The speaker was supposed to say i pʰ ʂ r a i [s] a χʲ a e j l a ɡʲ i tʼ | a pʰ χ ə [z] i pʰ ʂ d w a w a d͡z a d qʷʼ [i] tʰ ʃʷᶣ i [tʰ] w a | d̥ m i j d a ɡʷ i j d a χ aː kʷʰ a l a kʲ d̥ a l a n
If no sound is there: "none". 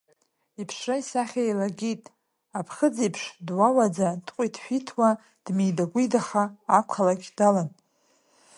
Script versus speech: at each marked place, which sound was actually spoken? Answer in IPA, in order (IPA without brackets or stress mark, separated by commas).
s, d͡z, i, tʰ